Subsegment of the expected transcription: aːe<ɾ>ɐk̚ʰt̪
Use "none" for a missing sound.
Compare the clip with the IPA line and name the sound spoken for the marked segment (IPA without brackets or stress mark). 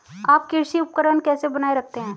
ɾ